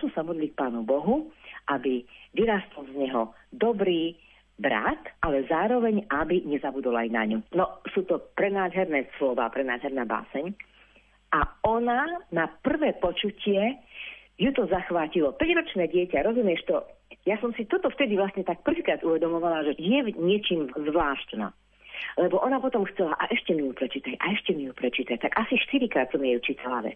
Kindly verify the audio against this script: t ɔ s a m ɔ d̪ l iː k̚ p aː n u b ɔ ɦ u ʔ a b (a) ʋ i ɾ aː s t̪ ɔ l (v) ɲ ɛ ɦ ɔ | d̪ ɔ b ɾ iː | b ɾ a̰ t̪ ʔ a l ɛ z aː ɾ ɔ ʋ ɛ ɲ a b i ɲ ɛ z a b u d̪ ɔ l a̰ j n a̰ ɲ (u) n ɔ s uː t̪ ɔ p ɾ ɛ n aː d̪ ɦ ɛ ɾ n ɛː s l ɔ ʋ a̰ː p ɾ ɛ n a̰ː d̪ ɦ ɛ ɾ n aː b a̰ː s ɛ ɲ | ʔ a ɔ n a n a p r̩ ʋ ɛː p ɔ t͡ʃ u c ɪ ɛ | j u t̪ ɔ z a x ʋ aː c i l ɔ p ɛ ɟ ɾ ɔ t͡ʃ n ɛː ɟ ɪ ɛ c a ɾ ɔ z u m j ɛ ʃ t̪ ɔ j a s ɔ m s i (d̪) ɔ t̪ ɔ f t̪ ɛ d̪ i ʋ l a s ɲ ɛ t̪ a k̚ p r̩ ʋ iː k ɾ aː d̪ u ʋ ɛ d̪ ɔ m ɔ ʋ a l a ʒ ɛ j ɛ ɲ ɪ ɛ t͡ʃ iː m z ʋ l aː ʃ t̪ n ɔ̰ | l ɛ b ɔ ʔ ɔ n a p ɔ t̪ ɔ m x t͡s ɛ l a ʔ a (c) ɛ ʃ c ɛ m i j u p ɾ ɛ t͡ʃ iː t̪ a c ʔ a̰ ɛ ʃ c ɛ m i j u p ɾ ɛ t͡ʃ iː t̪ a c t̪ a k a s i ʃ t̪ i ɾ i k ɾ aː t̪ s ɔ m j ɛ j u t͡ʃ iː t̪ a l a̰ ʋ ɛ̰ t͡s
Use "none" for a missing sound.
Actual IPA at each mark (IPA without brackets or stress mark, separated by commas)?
i, z, u, t̪, ʔ